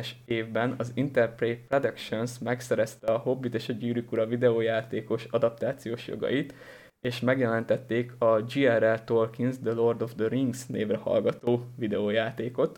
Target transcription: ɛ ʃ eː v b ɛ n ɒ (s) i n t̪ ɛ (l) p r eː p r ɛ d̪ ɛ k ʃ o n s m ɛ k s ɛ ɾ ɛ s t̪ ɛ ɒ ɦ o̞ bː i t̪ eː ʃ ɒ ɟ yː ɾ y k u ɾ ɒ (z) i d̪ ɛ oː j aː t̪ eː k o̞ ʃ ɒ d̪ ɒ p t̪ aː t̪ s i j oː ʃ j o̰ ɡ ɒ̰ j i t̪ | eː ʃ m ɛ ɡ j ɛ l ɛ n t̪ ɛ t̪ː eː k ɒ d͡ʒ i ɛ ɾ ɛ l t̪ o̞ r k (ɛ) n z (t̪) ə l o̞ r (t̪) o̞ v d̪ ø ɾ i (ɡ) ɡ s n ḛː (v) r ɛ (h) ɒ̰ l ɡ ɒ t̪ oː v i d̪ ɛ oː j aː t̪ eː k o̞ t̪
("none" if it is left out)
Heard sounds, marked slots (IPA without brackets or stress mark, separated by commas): z, r, v, i, d̪, d̪, ŋ, v, h